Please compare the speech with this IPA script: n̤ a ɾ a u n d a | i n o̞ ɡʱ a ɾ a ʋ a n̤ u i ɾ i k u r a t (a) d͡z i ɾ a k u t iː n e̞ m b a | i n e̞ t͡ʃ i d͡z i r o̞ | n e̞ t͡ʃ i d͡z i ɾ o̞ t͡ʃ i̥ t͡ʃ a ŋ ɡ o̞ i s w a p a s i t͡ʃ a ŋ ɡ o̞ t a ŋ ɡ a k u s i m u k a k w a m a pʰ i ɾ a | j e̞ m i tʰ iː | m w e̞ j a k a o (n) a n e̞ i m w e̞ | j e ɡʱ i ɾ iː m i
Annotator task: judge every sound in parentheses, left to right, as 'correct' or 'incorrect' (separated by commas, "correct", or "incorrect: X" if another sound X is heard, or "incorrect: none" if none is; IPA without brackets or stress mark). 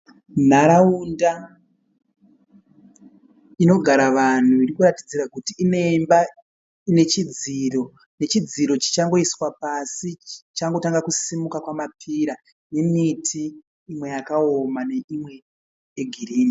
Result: incorrect: i, incorrect: m